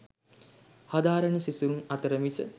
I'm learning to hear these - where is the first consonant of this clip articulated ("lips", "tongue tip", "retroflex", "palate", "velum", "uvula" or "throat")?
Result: throat